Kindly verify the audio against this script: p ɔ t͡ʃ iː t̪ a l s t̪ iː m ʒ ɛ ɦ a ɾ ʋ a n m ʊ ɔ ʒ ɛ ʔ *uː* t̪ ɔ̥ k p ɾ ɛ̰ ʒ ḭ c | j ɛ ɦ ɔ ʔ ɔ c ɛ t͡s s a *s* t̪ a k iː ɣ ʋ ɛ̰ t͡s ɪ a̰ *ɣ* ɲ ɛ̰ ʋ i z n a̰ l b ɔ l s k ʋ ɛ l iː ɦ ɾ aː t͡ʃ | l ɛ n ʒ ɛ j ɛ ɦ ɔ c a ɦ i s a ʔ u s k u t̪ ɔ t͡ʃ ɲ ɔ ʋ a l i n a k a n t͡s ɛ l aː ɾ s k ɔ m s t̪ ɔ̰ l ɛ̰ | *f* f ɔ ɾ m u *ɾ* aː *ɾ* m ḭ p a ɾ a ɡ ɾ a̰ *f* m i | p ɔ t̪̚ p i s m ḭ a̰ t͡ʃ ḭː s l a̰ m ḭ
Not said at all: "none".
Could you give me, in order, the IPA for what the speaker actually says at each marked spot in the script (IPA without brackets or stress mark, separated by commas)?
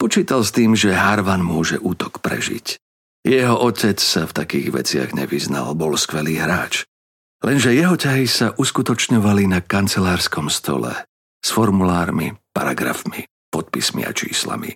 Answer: uː, f, ɣ, s, l, ɾ, f